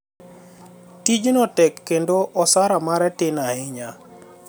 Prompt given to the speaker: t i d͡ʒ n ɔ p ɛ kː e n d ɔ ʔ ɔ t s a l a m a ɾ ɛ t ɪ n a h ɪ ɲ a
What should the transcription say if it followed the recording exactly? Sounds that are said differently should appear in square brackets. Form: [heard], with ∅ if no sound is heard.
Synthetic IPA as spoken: t i d͡ʒ n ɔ [t] ɛ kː e n d [o] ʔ ɔ [∅] s a [ɾ] a m a ɾ ɛ t ɪ n a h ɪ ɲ a